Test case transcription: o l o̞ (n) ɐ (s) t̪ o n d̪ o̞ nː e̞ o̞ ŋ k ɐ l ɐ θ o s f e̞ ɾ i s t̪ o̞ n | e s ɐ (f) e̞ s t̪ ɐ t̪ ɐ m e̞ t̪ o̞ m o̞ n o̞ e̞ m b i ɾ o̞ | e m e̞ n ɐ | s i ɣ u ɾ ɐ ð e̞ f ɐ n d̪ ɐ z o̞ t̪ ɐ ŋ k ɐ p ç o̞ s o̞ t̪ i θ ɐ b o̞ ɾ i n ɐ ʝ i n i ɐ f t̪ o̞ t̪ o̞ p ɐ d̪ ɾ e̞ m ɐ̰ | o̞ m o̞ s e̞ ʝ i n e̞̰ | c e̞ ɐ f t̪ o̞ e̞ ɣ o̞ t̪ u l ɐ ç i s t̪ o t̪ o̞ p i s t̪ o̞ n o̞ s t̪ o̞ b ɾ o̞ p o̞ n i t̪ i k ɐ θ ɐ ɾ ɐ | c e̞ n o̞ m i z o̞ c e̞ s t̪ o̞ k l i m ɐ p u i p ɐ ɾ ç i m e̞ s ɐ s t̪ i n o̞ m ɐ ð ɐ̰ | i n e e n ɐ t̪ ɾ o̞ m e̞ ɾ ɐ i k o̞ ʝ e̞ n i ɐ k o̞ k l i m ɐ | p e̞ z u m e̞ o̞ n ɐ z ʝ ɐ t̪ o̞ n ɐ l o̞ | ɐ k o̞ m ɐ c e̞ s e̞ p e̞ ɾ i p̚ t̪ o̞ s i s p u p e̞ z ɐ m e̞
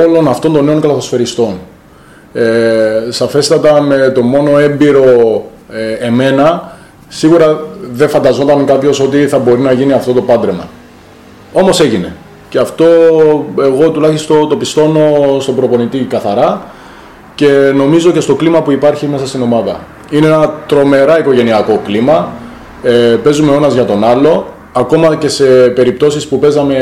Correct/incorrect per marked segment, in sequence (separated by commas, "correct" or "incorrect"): correct, incorrect, correct